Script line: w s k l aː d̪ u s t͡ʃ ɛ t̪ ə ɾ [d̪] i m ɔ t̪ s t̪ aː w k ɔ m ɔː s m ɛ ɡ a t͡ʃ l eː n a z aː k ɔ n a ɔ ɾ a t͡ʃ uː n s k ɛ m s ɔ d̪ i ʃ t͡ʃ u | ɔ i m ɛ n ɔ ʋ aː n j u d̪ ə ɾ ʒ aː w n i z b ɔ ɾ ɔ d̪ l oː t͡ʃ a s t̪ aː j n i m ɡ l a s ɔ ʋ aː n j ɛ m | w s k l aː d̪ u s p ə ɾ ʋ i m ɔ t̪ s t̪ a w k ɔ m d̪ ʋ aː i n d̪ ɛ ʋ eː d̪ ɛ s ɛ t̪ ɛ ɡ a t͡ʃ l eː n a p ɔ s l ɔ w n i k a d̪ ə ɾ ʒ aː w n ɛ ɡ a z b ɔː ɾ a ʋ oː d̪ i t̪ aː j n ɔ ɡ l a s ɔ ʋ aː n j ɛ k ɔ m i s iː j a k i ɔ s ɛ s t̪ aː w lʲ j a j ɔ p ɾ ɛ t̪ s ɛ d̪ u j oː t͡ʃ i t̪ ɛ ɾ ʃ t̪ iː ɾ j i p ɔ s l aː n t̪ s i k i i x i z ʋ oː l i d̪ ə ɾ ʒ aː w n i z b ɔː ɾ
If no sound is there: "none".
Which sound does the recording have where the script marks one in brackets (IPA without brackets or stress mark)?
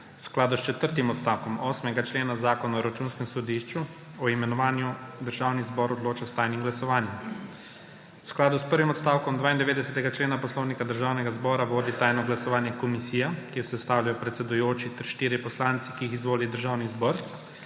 t̪